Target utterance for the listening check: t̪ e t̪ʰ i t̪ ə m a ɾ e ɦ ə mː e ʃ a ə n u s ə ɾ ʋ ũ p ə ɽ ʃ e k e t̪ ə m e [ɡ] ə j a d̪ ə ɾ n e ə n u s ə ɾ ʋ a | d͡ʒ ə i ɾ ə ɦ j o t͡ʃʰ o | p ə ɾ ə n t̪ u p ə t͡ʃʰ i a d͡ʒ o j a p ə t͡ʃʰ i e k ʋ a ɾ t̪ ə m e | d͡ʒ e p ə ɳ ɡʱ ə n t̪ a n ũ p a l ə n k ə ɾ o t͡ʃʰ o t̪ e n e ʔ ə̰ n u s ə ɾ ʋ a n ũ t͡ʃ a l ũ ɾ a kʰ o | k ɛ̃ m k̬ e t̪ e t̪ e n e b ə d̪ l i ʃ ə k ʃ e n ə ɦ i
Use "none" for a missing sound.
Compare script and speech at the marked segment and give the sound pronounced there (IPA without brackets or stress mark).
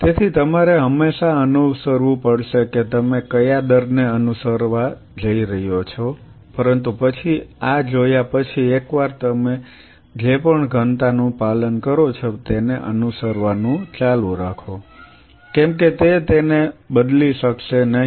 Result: k